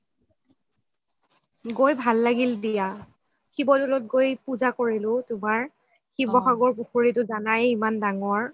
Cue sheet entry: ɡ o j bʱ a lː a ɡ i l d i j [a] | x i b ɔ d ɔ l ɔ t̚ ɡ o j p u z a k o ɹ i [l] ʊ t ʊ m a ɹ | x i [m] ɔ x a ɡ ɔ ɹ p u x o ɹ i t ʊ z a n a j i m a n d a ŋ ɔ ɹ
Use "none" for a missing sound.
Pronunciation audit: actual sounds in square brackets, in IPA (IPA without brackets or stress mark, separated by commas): a, l, b